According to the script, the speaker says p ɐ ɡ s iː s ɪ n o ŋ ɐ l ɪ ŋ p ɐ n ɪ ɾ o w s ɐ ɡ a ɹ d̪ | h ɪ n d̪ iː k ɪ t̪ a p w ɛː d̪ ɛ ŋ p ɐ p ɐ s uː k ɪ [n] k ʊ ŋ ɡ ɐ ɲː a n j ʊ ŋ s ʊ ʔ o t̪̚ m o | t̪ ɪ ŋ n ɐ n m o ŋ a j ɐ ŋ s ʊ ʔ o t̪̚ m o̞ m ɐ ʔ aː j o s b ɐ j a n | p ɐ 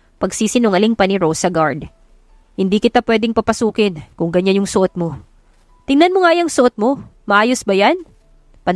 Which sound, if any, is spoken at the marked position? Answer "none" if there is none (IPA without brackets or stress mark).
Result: n